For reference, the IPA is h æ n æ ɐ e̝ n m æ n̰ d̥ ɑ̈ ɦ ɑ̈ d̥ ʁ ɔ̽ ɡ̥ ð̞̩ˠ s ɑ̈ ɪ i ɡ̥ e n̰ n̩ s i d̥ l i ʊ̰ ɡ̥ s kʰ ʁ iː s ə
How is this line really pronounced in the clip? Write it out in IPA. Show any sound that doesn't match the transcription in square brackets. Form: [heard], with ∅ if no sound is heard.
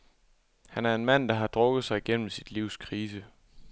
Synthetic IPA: h æ n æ ɐ e̝ n m æ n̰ d̥ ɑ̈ ɦ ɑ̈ d̥ ʁ ɔ̽ ɡ̥ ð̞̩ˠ s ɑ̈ ɪ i ɡ̥ e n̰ [m̩] s i d̥ l i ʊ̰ [∅] s kʰ ʁ iː s ə